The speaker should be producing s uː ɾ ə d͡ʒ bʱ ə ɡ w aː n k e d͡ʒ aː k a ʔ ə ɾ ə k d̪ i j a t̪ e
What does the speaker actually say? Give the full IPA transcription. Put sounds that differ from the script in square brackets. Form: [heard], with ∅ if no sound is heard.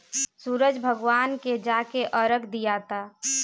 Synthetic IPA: s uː ɾ ə d͡ʒ bʱ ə ɡ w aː n k e d͡ʒ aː k [e] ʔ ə ɾ ə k d̪ i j a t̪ [a]